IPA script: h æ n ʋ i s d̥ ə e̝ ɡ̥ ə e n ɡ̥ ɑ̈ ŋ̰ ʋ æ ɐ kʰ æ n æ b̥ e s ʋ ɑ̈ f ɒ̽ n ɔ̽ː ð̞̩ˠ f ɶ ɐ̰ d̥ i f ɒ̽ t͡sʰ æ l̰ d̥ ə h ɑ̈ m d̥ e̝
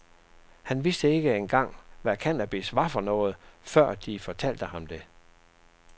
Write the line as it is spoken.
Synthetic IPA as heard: h æ n ʋ i s d̥ ə e̝ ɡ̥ ə e n ɡ̥ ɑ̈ ŋ̰ ʋ æ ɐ kʰ æ n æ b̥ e s ʋ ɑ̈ f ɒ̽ n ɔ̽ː ð̞̩ˠ f ɶ ɐ̰ d̥ i f ɒ̽ t͡sʰ æ l̰ d̥ ə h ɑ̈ m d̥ e̝